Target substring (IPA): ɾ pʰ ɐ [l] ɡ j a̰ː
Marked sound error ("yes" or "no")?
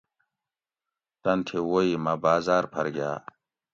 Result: yes